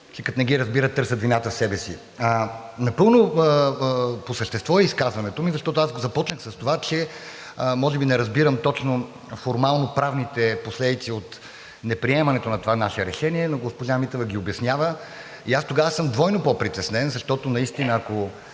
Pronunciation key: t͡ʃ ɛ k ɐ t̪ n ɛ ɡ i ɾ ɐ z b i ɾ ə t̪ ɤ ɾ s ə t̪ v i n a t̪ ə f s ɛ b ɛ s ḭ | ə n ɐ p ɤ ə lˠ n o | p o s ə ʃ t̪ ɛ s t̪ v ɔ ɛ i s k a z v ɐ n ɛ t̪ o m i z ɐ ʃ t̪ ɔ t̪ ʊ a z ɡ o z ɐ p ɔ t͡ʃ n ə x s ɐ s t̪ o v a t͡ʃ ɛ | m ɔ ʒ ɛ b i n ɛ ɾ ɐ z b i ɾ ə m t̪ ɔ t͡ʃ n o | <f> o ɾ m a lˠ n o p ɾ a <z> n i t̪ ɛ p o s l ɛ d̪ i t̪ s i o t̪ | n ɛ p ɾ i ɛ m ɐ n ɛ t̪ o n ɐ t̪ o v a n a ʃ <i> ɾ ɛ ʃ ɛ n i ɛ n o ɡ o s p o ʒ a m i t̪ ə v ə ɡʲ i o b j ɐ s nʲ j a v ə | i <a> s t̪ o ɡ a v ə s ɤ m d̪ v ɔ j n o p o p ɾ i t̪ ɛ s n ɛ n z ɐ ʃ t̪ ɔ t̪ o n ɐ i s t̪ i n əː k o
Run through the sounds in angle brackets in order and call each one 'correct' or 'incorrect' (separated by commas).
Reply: correct, incorrect, incorrect, correct